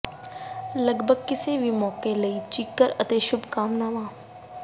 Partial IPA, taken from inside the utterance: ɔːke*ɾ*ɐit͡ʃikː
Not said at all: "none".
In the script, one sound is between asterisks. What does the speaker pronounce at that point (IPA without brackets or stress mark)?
l